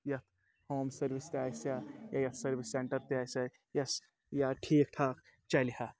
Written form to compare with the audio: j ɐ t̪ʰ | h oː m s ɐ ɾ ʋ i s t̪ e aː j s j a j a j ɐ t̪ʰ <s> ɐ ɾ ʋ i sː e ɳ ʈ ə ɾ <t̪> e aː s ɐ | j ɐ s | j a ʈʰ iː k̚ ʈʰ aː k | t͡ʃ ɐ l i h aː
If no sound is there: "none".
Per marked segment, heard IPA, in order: s, t̪

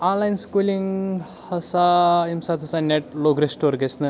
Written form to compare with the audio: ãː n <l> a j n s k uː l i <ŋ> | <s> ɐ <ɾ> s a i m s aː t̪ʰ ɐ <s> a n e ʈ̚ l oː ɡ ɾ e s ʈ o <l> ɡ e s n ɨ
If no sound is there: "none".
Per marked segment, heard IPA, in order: l, ŋ, h, none, s, ɾ

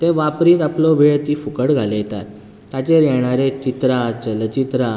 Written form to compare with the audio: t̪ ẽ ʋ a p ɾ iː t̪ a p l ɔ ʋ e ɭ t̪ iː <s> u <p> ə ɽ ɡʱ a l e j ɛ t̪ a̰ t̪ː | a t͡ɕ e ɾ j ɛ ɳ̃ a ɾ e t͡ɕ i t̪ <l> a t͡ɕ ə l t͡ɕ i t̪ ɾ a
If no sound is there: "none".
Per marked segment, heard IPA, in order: f, k, ɾ

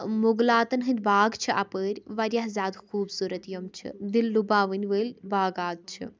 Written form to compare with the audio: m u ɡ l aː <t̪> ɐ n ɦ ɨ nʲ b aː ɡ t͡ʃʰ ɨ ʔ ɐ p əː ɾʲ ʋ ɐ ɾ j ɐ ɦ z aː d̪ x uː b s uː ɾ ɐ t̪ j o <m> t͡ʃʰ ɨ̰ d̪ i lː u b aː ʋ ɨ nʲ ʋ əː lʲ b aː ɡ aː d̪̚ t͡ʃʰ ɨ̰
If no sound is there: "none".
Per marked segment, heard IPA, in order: t̪, m

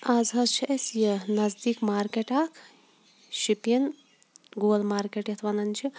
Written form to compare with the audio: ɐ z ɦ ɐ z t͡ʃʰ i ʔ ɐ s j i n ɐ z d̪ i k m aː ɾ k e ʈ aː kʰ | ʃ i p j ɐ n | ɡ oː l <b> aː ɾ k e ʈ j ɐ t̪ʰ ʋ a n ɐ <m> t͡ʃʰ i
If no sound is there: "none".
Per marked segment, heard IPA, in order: m, n

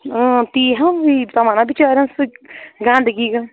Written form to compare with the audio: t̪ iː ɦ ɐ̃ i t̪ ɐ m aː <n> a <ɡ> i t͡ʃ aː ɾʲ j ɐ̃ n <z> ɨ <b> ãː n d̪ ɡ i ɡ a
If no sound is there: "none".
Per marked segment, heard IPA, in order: n, b, s, ɡ

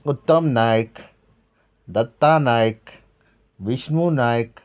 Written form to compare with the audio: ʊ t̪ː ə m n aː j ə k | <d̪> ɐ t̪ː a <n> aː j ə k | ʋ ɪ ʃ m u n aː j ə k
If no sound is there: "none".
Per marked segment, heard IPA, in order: d̪, n

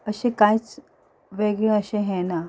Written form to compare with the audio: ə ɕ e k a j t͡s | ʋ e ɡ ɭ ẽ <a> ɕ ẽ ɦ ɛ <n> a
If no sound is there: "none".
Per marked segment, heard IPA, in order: ə, n

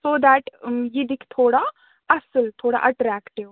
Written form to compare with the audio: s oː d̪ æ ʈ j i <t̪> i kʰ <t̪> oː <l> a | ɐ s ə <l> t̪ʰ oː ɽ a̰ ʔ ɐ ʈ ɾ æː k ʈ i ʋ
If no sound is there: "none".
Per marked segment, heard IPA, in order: d̪, t̪ʰ, ɽ, l

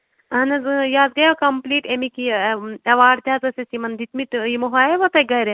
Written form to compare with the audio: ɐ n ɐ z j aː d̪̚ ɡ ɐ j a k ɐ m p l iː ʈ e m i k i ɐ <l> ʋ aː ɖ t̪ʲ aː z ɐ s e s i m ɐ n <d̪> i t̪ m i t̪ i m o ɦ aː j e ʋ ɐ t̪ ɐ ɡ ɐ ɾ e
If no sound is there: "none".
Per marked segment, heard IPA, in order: none, d̪

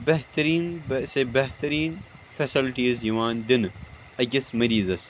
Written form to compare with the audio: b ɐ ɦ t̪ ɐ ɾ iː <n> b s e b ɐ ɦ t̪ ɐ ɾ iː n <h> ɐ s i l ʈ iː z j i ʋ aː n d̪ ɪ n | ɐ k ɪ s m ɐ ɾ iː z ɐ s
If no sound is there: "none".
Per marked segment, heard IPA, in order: n, f

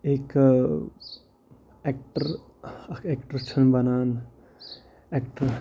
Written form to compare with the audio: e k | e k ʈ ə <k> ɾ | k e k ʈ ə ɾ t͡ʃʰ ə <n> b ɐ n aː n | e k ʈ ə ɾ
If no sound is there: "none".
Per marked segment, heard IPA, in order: none, n

